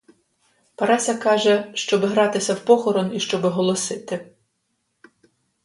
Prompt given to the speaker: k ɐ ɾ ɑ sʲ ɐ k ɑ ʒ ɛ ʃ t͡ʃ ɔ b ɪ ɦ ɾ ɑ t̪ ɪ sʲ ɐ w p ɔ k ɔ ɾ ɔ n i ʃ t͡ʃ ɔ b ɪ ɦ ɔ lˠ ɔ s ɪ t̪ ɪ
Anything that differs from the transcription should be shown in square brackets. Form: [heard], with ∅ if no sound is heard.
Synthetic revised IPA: [p] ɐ ɾ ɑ sʲ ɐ k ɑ ʒ ɛ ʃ t͡ʃ ɔ b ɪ ɦ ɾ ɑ t̪ ɪ sʲ ɐ w p ɔ [x] ɔ ɾ ɔ n i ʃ t͡ʃ ɔ b ɪ ɦ ɔ lˠ ɔ s ɪ t̪ ɪ